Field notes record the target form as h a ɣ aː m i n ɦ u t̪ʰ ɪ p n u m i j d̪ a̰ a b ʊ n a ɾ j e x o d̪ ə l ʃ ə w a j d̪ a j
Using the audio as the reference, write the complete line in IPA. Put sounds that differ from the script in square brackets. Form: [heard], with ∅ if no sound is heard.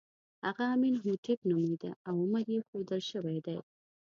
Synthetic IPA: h a ɣ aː m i n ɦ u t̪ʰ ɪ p n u m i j d̪ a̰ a [w] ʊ [m] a ɾ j e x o d̪ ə l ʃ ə w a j d̪ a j